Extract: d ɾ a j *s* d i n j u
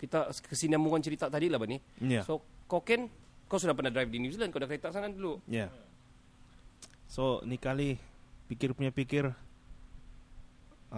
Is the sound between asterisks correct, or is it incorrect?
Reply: incorrect